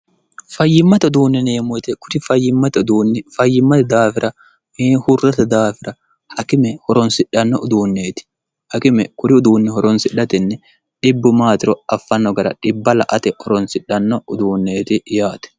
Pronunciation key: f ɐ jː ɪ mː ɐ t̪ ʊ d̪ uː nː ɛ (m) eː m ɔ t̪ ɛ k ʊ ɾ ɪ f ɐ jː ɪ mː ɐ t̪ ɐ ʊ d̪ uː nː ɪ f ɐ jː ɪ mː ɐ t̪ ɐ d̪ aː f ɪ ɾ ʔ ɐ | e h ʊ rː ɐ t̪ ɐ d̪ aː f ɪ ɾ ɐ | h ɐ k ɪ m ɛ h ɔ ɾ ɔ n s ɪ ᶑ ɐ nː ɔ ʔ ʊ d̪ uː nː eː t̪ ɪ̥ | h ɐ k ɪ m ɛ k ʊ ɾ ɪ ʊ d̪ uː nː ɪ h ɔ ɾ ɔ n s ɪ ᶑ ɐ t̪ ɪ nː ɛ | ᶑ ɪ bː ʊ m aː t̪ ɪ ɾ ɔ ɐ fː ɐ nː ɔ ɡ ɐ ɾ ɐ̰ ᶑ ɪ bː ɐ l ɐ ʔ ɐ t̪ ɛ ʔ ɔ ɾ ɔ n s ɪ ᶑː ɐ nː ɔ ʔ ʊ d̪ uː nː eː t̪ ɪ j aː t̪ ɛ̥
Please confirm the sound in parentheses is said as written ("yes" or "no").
no